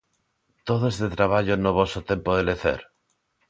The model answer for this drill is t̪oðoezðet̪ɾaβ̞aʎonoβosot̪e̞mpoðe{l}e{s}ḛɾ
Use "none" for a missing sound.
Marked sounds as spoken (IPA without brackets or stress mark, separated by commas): l, θ